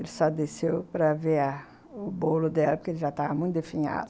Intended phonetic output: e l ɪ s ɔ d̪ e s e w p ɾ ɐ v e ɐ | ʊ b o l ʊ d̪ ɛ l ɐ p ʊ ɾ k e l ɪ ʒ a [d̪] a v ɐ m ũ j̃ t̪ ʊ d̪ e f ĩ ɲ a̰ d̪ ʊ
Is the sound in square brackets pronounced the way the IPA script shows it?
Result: no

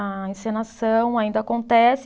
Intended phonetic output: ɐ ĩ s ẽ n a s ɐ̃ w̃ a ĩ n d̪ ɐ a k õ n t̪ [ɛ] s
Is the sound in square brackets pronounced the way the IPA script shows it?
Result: yes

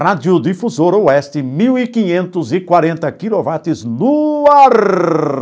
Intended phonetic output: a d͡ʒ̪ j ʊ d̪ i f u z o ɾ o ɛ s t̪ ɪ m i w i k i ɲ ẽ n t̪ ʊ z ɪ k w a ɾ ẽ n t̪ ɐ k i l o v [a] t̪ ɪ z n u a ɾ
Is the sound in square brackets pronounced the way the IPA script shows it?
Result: yes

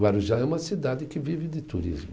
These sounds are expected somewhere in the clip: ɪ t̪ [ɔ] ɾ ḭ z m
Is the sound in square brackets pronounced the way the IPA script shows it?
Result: no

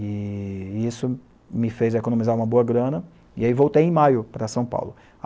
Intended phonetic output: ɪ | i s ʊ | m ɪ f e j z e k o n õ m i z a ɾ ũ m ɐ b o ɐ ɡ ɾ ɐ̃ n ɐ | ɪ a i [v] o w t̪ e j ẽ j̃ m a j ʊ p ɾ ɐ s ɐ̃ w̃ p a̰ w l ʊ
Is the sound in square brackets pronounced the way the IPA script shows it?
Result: yes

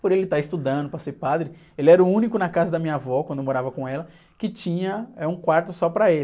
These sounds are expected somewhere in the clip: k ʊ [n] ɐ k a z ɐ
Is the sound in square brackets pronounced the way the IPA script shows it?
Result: yes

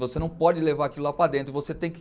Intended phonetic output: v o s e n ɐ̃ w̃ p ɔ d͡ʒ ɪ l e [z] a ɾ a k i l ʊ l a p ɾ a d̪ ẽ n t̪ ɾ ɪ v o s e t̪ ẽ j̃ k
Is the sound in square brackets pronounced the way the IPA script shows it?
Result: no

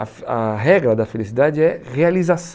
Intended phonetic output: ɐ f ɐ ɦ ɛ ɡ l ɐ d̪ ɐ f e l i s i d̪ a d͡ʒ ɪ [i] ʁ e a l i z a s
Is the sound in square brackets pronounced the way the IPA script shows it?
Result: no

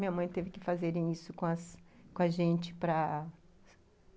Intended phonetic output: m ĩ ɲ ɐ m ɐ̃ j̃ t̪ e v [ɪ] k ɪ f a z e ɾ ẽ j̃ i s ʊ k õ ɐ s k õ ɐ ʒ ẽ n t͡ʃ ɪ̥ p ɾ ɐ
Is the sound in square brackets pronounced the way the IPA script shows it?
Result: yes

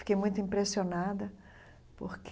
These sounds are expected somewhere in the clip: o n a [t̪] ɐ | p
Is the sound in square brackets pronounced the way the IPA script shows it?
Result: no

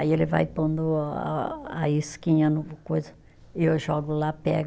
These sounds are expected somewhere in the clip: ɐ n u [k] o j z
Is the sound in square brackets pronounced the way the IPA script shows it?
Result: yes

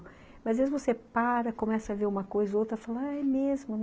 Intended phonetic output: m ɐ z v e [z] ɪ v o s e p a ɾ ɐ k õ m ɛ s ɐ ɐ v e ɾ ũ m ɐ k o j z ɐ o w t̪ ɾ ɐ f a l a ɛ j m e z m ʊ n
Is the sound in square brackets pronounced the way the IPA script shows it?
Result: yes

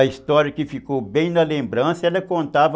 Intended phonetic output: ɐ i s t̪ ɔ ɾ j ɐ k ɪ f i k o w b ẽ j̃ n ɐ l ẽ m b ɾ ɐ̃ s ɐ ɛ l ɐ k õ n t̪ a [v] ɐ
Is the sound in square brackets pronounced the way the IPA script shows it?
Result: yes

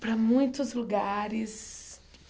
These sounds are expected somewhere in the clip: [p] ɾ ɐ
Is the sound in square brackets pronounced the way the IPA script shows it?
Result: yes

